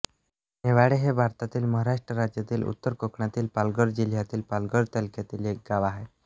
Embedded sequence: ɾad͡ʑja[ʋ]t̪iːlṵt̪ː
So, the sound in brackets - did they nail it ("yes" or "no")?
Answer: no